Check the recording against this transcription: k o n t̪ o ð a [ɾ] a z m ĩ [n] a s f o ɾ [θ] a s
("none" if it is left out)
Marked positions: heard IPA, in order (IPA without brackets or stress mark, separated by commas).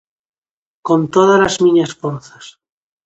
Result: l, ɲ, θ